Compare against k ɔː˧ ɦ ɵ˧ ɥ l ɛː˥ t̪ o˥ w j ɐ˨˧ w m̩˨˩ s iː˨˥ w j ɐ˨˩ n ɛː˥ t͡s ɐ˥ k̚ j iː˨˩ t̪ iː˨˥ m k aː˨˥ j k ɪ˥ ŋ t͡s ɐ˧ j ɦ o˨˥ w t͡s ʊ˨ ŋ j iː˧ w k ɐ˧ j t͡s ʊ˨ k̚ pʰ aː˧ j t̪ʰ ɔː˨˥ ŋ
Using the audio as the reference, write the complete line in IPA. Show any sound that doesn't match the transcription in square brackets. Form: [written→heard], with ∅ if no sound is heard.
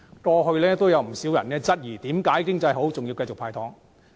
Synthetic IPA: k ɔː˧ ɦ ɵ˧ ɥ l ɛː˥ t̪ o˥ w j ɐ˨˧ w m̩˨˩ s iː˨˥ w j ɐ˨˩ n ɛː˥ t͡s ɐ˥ [k̚→t̚] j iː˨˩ t̪ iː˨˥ m k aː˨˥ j k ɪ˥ ŋ t͡s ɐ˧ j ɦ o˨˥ w t͡s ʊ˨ ŋ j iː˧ w k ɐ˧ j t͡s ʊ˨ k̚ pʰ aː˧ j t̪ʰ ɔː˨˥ ŋ